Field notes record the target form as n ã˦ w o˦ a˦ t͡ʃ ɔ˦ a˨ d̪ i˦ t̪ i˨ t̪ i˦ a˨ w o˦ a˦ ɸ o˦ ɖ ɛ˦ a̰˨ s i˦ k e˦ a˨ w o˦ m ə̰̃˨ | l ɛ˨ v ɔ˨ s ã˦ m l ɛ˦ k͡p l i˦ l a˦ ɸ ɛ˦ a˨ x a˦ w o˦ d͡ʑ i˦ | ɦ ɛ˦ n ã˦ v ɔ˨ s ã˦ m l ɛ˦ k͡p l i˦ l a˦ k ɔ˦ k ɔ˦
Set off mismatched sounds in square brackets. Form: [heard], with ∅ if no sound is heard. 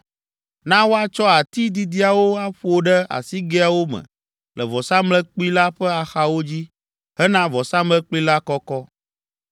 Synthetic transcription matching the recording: n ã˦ w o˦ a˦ t͡ʃ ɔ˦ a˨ [t̪] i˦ [d̪] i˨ [d̪] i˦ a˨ w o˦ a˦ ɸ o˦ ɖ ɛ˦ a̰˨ s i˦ [ɡ] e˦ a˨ w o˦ m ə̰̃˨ | l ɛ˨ v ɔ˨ s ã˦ m l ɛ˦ k͡p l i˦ l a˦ ɸ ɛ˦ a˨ x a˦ w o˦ d͡ʑ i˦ | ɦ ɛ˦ n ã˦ v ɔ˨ s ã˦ m l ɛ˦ k͡p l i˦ l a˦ k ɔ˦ k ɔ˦